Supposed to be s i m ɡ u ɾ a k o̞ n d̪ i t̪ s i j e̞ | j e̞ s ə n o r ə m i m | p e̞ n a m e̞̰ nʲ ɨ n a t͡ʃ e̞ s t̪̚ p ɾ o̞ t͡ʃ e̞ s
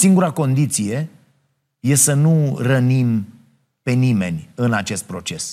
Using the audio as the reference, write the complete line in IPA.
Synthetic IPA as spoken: s i ŋ ɡ u ɾ a k o̞ n d̪ i t̪ s i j e̞ | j e̞ s ə n u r ə n i m | p e̞ n i m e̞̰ nʲ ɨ n a t͡ʃ e̞ s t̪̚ p ɾ o̞ t͡ʃ e̞ s